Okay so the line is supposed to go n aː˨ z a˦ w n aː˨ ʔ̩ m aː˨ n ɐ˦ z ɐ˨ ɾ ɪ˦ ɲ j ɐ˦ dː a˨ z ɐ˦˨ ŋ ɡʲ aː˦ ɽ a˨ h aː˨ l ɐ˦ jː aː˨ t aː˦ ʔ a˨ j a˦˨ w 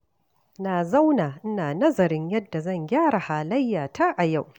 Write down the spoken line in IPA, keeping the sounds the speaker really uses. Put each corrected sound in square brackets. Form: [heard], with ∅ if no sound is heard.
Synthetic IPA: n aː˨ z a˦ w n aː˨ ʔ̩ [n] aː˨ n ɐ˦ z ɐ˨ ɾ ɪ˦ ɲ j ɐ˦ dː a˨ z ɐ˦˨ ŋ ɡʲ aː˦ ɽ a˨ h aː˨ l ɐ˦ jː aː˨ t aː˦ ʔ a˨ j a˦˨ w

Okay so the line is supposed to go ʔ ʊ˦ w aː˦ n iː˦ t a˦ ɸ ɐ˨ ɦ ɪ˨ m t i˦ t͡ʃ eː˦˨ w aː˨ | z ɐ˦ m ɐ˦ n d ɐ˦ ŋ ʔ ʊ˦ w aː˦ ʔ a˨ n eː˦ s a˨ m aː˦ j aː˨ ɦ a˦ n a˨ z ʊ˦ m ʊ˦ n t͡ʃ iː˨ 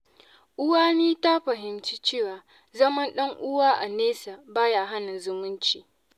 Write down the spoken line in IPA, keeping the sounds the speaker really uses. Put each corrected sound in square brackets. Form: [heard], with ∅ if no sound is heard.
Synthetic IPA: ʔ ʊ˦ w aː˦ n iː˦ t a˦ ɸ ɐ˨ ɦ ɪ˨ m [t͡ʃ] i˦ t͡ʃ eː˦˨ w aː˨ | z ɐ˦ m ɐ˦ n [ɗ] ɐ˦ ŋ ʔ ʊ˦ w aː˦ ʔ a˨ n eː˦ s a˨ [b] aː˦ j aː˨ ɦ a˦ n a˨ z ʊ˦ m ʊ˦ n t͡ʃ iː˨

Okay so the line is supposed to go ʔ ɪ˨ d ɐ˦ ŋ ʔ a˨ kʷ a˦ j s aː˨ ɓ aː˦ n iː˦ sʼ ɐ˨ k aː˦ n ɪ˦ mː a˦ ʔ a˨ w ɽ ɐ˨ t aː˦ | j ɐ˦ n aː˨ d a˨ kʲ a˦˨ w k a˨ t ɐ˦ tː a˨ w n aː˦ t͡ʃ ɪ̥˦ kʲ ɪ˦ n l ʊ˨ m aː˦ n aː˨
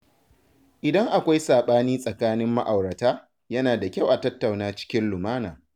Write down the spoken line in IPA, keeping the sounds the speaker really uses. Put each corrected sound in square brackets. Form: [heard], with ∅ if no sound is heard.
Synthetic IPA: ʔ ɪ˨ d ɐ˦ ŋ ʔ a˨ kʷ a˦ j s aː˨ ɓ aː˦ n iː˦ sʼ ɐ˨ k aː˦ n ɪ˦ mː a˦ ʔ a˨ w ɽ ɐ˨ t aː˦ | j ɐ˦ n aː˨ d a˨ kʲ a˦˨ w [ʔ] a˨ t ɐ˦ tː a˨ w n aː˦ t͡ʃ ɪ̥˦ kʲ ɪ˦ n l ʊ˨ m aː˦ n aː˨

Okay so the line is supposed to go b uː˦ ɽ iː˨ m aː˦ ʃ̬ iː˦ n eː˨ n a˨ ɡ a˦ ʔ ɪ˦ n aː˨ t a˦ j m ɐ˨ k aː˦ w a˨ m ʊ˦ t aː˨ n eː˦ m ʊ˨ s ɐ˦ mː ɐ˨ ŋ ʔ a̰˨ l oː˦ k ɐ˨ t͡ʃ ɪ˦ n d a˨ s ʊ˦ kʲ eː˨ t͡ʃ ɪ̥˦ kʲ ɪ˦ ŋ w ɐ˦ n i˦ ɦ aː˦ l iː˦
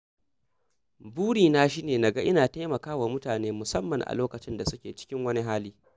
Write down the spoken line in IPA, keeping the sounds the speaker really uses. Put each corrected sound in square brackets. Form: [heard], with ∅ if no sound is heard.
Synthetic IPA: b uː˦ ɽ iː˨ [n] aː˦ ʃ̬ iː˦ n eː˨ n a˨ ɡ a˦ ʔ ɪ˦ n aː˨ t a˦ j m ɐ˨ k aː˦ w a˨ m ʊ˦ t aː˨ n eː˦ m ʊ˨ s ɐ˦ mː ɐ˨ ŋ ʔ a̰˨ l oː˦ k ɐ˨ t͡ʃ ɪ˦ n d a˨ s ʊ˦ kʲ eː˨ t͡ʃ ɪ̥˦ kʲ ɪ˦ ŋ w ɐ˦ n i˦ ɦ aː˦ l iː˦

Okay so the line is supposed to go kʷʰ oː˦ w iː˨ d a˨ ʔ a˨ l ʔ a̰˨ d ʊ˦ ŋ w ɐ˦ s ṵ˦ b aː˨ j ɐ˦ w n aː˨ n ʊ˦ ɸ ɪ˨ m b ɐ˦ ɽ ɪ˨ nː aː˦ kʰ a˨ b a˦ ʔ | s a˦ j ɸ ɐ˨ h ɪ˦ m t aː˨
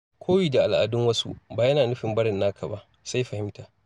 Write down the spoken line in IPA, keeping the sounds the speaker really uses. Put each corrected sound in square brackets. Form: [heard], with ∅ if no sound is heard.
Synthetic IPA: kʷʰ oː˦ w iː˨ d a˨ ʔ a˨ l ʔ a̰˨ d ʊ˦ ŋ w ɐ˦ s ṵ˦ b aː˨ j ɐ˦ [∅] n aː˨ n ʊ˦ ɸ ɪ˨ m b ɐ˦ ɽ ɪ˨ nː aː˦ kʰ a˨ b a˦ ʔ | s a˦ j ɸ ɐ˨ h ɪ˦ m t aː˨

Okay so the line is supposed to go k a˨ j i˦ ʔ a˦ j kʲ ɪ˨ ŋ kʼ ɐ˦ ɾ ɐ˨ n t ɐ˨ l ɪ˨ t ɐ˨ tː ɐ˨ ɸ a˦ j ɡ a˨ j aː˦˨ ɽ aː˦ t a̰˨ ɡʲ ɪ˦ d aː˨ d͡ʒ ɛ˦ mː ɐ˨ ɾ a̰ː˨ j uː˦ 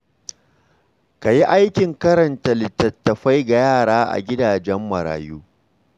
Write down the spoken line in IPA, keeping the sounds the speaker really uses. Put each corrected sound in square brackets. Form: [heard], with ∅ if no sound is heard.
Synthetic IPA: k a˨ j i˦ ʔ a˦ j kʲ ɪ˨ ŋ [k] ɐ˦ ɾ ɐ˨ n t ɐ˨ l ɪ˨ t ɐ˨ tː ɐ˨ ɸ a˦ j ɡ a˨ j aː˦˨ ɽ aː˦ [ʔ] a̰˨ ɡʲ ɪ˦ d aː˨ d͡ʒ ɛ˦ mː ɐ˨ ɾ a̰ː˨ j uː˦

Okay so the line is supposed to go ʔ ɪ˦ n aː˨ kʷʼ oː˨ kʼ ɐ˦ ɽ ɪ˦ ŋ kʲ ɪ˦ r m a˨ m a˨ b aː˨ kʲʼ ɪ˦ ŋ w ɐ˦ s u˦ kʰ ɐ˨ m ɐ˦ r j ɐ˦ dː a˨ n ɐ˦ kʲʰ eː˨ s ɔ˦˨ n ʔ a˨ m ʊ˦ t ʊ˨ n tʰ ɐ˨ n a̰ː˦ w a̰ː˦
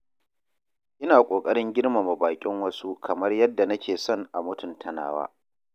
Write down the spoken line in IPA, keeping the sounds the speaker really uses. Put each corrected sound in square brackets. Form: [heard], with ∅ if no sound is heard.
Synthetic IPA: ʔ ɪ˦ n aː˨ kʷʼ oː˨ kʼ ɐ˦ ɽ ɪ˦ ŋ [ɡʲ] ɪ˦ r m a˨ m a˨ b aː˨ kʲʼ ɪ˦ ŋ w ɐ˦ s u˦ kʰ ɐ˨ m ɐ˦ r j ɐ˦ dː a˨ n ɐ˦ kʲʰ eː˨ s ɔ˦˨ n ʔ a˨ m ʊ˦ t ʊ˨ n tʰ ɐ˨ n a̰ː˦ w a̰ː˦

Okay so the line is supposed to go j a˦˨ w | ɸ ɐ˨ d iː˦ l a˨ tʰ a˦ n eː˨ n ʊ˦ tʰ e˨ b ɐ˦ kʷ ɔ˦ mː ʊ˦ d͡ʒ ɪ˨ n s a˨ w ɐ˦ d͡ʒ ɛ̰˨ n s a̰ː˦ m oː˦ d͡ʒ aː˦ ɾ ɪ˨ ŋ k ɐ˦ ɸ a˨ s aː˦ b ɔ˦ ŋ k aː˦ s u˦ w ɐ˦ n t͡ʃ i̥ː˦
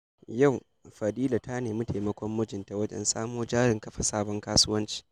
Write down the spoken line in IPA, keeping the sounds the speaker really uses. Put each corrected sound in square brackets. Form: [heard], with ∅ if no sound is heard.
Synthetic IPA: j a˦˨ w | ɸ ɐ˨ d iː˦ l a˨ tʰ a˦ n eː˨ [m] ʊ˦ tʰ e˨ [m] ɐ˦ kʷ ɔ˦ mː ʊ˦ d͡ʒ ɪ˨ n [t] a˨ w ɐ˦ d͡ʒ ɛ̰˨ n s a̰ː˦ m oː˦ d͡ʒ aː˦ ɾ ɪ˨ ŋ k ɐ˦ ɸ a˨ s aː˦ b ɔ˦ ŋ k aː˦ s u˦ w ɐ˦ n t͡ʃ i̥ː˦

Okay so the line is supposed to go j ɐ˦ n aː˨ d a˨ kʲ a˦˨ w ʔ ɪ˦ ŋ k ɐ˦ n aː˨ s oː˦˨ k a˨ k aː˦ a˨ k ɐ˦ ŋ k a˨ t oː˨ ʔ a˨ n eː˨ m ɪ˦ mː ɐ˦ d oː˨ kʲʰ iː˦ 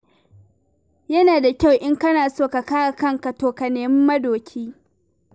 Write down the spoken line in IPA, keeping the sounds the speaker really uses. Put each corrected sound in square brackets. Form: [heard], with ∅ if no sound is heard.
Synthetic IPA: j ɐ˦ n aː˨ d a˨ kʲ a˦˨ w ʔ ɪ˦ ŋ k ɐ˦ n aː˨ s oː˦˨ k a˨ k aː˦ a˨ k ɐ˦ ŋ k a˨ t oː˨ [k] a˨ n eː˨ m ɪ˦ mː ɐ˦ d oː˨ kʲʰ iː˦

